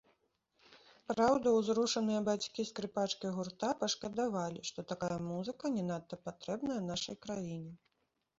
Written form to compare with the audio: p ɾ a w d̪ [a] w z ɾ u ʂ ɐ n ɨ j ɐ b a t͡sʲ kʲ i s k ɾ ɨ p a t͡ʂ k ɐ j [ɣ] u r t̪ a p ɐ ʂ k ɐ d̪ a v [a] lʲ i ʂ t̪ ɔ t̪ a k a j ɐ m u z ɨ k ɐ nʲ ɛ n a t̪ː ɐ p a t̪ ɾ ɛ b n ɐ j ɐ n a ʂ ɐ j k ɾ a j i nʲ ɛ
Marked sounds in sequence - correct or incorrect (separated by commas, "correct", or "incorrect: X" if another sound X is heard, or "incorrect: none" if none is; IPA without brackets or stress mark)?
incorrect: ɐ, correct, correct